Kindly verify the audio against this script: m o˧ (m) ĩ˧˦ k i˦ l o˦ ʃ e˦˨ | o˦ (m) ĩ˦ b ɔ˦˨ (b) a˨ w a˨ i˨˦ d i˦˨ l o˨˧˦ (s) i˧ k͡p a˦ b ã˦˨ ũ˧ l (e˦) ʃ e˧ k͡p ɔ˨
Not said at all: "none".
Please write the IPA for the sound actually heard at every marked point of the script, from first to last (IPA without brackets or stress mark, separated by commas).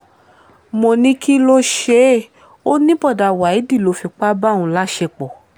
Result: n, n, d, f, a˦